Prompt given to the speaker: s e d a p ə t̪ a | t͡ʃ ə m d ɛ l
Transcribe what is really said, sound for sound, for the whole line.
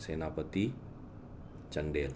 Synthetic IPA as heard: s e n a p ə t̪ i | t͡ʃ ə n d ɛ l